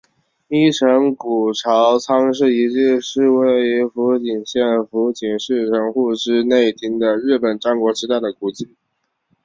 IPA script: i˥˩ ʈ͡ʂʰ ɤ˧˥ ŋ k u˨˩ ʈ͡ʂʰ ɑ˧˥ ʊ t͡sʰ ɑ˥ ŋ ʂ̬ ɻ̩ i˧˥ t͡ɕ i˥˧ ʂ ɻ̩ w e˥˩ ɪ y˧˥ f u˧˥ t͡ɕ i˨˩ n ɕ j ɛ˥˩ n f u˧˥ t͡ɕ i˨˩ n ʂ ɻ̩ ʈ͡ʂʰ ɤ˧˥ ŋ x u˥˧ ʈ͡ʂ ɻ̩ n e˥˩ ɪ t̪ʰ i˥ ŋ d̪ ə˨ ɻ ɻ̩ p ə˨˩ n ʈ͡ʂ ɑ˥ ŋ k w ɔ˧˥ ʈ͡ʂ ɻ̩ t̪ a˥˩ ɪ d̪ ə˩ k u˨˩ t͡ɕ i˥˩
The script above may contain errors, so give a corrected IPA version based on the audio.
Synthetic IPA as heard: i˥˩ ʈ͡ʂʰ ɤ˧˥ ŋ k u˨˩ ʈ͡ʂʰ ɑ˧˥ ʊ t͡sʰ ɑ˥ ŋ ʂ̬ ɻ̩ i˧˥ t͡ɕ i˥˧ ʂ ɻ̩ w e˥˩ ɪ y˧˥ f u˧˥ t͡ɕ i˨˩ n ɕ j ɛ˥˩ n f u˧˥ t͡ɕ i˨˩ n ʂ ɻ̩ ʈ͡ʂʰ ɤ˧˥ ŋ x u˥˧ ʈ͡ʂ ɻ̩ n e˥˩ ɪ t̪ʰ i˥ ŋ d̪ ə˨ ɻ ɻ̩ p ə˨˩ n ʈ͡ʂ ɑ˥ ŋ k w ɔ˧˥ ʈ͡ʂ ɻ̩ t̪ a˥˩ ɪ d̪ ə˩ k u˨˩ t͡ɕ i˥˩